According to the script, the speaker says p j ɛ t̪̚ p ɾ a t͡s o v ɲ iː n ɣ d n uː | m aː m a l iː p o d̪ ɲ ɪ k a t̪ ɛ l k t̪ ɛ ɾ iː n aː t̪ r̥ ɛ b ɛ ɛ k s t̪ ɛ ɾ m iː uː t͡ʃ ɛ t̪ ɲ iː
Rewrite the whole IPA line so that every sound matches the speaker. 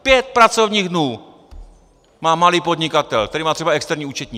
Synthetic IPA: p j ɛ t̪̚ p ɾ a t͡s o v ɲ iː ɣ d n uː | m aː m a l iː p o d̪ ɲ ɪ k a t̪ ɛ l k t̪ ɛ ɾ iː m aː t̪ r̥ ɛ b a ɛ k s t̪ ɛ ɾ ɲ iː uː t͡ʃ ɛ t̪ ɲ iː